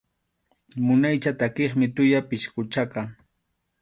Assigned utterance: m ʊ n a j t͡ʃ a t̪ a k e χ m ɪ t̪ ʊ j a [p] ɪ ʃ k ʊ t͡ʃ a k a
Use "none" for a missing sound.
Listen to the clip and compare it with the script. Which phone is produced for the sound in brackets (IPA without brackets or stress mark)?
p